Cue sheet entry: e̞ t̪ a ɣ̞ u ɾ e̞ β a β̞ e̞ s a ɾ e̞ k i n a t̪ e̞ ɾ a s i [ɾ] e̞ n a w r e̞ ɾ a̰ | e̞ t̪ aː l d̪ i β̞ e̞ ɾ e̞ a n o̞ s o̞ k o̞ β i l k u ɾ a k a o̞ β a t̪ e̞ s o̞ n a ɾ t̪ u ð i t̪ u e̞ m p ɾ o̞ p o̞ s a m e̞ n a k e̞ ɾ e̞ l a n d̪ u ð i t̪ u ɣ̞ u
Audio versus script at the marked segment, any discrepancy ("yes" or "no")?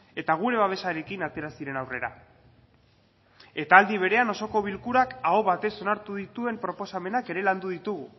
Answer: no